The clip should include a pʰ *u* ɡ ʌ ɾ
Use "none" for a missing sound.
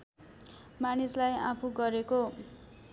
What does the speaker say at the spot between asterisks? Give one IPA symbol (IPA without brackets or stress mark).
u